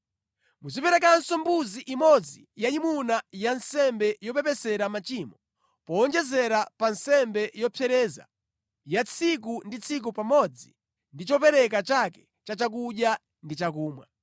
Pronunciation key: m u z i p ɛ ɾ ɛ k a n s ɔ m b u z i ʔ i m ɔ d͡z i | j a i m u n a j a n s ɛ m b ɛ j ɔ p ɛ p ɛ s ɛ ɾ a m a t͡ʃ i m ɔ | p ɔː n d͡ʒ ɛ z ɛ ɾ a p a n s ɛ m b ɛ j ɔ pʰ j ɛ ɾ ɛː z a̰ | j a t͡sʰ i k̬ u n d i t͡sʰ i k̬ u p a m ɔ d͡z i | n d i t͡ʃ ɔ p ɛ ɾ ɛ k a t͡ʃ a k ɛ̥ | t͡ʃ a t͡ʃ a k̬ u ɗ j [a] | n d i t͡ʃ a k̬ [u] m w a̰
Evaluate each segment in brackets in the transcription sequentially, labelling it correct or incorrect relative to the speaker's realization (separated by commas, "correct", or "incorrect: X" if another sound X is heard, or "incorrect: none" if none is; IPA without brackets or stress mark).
correct, incorrect: uː